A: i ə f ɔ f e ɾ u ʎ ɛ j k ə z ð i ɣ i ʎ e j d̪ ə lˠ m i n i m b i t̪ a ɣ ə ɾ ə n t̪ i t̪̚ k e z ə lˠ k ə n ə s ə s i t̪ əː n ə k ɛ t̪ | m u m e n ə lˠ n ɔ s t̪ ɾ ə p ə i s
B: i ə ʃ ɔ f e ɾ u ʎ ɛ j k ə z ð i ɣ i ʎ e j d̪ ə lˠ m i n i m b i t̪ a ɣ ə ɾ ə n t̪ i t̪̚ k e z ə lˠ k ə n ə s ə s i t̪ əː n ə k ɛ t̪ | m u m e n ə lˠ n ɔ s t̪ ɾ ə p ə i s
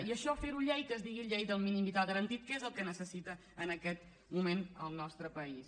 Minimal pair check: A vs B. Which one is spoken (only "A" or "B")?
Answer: B